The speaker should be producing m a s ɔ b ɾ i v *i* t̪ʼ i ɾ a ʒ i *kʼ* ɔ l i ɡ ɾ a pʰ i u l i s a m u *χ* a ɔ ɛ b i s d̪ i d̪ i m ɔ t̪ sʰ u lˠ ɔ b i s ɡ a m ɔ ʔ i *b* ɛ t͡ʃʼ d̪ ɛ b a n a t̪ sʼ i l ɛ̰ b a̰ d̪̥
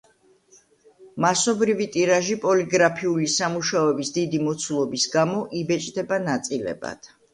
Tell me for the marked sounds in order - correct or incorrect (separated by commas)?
correct, incorrect, incorrect, correct